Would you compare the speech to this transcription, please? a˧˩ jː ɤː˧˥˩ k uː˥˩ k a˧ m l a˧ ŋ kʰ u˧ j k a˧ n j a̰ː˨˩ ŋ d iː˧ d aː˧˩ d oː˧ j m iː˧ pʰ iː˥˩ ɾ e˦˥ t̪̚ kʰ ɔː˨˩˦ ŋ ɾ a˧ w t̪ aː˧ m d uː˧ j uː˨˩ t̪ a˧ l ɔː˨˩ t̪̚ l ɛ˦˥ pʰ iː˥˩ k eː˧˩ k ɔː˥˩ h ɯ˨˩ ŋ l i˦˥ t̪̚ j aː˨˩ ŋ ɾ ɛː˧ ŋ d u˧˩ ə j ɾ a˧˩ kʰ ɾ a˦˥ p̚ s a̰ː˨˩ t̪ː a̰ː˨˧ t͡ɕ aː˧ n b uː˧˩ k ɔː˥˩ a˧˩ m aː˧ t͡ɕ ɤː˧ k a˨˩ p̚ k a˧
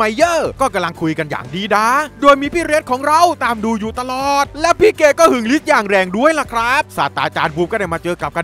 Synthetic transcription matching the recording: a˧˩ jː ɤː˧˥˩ k ɔː˥˩ k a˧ m l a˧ ŋ kʰ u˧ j k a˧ n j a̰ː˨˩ ŋ d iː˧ d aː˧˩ d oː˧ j m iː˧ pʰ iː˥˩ ɾ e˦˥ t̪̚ kʰ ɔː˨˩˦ ŋ ɾ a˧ w t̪ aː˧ m d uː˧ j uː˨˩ t̪ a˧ l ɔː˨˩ t̪̚ l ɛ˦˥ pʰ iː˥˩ k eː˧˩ k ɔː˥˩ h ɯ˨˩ ŋ l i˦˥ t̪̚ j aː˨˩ ŋ ɾ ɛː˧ ŋ d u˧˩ ə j l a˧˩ kʰ ɾ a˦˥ p̚ s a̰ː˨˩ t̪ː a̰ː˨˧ t͡ɕ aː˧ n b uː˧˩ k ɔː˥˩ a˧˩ m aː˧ t͡ɕ ɤː˧ k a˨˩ p̚ k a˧